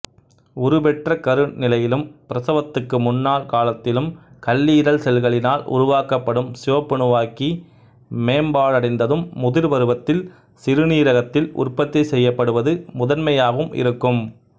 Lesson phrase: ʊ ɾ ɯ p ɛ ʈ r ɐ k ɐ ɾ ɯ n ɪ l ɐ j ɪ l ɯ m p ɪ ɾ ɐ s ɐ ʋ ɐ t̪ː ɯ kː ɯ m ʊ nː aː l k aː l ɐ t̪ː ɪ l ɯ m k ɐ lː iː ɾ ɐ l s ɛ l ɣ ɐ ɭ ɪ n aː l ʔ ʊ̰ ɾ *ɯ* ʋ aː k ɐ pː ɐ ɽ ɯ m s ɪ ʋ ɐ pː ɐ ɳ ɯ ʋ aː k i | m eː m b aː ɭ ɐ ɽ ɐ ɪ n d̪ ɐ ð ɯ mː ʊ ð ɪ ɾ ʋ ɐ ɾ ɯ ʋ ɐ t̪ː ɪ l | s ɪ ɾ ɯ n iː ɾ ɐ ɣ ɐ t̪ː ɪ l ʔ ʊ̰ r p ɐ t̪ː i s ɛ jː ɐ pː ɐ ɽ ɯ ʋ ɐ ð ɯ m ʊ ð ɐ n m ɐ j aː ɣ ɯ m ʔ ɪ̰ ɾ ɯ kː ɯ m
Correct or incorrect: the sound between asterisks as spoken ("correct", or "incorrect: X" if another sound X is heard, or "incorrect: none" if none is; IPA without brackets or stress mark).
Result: incorrect: ʊ